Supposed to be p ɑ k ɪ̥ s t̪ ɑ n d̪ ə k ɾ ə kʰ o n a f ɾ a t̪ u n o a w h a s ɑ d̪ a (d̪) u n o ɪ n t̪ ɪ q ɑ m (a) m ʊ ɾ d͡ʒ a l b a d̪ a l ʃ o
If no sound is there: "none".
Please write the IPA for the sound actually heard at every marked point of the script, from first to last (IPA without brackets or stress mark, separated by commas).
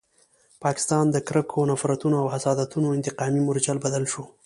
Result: t̪, i